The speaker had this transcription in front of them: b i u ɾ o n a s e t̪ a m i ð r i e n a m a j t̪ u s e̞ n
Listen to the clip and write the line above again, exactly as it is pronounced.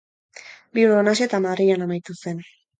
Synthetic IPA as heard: b i u ɾ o n a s e t̪ a m a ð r i a n a m a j t̪ u s e̞ n